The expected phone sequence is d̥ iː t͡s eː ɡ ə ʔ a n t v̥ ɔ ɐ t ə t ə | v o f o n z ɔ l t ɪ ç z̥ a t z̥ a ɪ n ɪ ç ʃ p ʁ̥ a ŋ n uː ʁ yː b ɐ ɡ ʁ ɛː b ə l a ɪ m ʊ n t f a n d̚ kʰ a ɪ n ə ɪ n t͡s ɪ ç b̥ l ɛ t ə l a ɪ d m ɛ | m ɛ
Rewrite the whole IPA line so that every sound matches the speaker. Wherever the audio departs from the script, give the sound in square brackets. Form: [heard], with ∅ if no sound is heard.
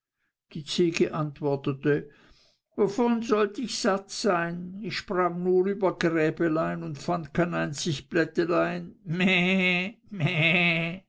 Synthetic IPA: d̥ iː t͡s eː ɡ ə ʔ a n t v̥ ɔ ɐ t ə t ə | v o f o n z ɔ l t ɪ ç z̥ a t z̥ a ɪ n ɪ ç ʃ p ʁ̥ a ŋ n uː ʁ yː b ɐ ɡ ʁ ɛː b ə l a ɪ [n] ʊ n t f a n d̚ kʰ a ɪ n [a] ɪ n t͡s ɪ ç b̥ l ɛ t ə l a ɪ [n] m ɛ | m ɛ